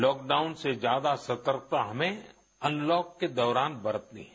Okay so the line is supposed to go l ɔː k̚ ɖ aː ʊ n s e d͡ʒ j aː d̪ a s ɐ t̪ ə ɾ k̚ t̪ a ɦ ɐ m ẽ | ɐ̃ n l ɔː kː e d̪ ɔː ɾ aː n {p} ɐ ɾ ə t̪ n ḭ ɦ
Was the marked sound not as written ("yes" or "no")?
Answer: yes